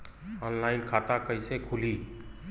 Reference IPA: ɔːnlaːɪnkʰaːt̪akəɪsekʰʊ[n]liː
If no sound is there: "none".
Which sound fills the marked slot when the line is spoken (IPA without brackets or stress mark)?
none